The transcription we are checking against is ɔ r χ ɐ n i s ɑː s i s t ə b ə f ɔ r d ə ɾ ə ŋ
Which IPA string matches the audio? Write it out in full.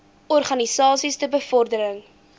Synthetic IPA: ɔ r χ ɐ n i s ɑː s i s t ə b ə f ɔ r d ə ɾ ə ŋ

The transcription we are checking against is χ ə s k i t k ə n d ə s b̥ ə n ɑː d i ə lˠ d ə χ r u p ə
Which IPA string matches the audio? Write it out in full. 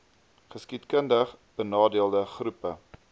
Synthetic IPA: χ ə s k i t k ə n d ə χ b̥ ə n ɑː d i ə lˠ d ə χ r u p ə

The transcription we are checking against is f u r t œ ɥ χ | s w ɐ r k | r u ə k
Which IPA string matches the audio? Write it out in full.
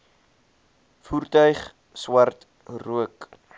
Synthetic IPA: f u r t œ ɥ χ | s w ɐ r t | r u ə k

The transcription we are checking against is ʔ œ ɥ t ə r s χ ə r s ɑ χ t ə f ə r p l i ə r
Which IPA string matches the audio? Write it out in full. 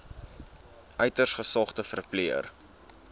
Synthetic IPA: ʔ œ ɥ t ə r s χ ə s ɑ χ t ə f ə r p l i ə r

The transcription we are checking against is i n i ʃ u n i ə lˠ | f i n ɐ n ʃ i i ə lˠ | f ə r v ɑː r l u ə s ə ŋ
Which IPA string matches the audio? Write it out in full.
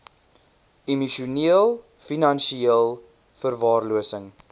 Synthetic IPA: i m i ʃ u n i ə lˠ | f i n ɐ n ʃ i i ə lˠ | f ə r v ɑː r l u ə s ə ŋ

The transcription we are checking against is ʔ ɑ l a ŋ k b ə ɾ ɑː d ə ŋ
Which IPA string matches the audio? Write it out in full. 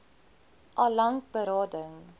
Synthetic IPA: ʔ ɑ l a ŋ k b ə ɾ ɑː d ə ŋ

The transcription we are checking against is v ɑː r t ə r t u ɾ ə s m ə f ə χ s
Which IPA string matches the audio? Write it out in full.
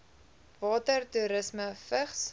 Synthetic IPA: v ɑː t ə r t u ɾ ə s m ə f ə χ s

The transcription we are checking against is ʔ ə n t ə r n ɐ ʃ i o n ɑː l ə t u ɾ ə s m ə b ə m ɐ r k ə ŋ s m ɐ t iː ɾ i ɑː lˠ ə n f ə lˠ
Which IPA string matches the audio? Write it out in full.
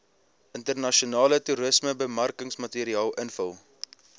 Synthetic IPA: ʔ ə n t ə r n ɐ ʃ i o n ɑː l ə t u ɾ ə s m ə b ə m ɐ r k ə ŋ s m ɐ t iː ɾ i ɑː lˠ ə n f ə lˠ

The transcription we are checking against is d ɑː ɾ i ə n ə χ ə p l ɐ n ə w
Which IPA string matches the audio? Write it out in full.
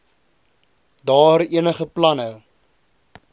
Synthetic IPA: d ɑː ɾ i ə n ə χ ə p l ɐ n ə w

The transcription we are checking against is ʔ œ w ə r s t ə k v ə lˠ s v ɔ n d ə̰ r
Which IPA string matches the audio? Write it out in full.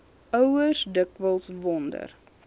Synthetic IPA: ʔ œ w ə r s d ə k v ə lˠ s v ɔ n d ə̰ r

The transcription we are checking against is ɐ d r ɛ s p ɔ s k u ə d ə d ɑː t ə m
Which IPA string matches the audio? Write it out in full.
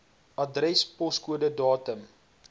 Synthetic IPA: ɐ d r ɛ s p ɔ s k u ə d ə d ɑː t ə m

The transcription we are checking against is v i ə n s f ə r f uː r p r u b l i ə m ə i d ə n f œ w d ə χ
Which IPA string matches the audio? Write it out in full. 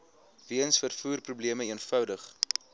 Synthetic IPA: v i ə n s f ə r f uː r p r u b l i ə m ə i ə n f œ w d ə χ

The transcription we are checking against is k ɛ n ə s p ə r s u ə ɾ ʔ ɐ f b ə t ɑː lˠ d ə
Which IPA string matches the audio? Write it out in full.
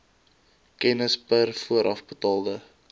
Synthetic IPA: k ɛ n ə s p ə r f u ə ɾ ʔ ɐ f b ə t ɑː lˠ d ə

